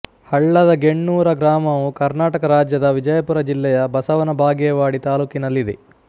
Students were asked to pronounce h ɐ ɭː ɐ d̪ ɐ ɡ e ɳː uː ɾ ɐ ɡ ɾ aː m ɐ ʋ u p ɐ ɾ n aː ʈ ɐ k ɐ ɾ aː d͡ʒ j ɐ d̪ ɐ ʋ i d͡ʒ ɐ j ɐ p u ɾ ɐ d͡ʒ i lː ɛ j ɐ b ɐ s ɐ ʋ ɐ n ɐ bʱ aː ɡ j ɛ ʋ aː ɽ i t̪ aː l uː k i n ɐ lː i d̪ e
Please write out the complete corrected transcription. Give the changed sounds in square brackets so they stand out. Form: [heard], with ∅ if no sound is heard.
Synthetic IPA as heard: h ɐ ɭː ɐ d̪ ɐ ɡ e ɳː uː ɾ ɐ ɡ ɾ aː m ɐ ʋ u [k] ɐ ɾ n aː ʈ ɐ k ɐ ɾ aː d͡ʒ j ɐ d̪ ɐ ʋ i d͡ʒ ɐ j ɐ p u ɾ ɐ d͡ʒ i lː ɛ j ɐ b ɐ s ɐ ʋ ɐ n ɐ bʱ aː ɡ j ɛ ʋ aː ɽ i t̪ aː l uː k i n ɐ lː i d̪ e